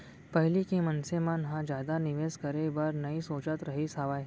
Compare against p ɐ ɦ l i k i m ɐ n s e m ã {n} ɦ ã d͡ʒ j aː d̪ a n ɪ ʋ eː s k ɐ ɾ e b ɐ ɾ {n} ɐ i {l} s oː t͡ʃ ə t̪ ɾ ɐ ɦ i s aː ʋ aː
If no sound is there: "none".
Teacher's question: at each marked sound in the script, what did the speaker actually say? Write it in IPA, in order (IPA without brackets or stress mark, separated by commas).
n, n, none